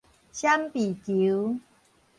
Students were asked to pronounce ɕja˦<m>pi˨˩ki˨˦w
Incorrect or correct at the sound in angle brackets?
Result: correct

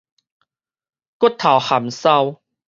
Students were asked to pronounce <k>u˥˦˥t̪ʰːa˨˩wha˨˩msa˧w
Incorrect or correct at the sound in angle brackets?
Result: correct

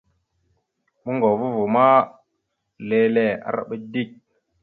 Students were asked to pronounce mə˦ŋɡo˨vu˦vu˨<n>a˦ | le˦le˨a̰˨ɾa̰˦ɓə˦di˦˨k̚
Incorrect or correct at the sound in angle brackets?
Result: incorrect: m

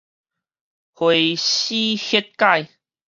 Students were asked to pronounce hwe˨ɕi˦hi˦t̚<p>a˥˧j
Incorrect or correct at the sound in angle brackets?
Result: incorrect: k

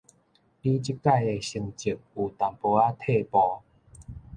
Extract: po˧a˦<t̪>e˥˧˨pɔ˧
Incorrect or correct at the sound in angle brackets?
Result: incorrect: t̪ʰ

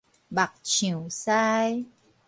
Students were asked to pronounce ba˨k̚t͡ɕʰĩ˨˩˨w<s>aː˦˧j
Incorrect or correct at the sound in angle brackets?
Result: correct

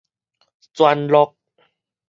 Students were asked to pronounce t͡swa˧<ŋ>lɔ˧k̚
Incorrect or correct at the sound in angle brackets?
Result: incorrect: n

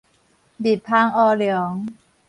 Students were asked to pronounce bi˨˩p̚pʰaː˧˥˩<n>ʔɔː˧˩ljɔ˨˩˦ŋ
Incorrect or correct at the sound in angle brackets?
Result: incorrect: ŋ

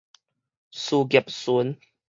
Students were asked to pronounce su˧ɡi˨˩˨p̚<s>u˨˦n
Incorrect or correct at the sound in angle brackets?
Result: correct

